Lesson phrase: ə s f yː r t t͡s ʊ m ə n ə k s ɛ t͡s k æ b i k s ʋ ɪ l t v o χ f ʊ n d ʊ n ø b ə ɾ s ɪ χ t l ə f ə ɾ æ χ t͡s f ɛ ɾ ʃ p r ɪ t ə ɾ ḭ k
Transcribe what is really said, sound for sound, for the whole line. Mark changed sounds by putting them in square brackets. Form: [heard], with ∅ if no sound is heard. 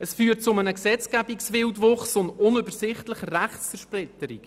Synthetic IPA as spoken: ə s f yː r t t͡s ʊ m ə n ə k s ɛ t͡s k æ b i k s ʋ ɪ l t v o χ [s] ʊ n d ʊ n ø b ə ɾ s ɪ χ t l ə [χ] ə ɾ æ χ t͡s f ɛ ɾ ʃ p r ɪ t ə ɾ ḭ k